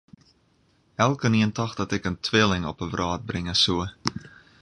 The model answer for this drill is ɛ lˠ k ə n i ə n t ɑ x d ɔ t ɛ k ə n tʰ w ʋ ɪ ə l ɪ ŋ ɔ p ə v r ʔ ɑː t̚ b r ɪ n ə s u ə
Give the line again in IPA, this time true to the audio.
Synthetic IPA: ɛ lˠ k ə n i ə n t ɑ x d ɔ t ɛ k ə n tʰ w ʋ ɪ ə l ɪ ŋ ɔ p ə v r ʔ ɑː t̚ b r ɪ ŋ ə s u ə